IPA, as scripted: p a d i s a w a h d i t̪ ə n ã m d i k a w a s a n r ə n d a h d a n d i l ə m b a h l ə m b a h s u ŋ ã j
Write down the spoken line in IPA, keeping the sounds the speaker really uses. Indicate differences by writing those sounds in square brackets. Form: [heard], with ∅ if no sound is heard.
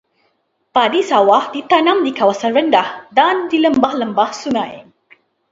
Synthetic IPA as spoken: p a d i s a w a h d i t̪ [a] n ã m d i k a w a s a n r ə n d a h d a n d i l ə m b a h l ə m b a h s u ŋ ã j